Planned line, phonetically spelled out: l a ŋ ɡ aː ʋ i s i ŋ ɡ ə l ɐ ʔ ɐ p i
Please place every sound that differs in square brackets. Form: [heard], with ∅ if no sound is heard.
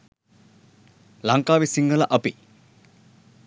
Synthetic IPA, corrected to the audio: l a ŋ [k] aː ʋ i s i ŋ ɡ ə l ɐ ʔ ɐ p i